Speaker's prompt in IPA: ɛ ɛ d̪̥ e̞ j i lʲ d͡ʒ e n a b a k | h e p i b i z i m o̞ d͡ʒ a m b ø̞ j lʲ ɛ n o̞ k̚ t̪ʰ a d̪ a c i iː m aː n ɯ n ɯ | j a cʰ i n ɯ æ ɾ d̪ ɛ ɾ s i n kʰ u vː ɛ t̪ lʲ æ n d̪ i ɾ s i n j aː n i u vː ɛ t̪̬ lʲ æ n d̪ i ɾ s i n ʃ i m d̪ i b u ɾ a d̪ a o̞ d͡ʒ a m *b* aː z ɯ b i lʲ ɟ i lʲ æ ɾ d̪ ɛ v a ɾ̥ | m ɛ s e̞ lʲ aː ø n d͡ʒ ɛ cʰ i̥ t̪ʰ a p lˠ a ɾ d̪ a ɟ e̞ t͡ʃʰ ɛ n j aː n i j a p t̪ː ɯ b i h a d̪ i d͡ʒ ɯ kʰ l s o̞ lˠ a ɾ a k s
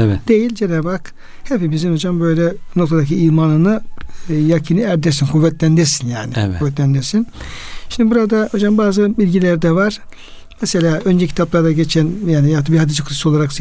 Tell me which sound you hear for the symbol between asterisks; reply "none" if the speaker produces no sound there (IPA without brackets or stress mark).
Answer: b